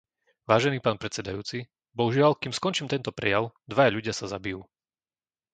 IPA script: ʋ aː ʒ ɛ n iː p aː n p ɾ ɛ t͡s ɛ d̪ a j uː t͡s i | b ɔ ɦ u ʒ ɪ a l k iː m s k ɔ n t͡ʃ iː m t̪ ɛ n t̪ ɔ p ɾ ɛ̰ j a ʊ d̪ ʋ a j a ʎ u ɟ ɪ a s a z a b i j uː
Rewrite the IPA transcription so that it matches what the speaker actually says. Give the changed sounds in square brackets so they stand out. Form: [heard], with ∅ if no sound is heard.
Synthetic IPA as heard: ʋ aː ʒ ɛ n iː p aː n p ɾ ɛ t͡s ɛ d̪ a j uː t͡s i | b ɔ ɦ u ʒ ɪ a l k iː m s k ɔ n t͡ʃ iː m t̪ ɛ n t̪ ɔ p ɾ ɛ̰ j a ʊ d̪ ʋ a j a ʎ u ɟ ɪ a s a z a b i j uː